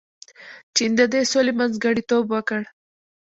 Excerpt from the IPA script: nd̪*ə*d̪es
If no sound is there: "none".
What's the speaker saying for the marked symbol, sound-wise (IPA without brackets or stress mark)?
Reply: ə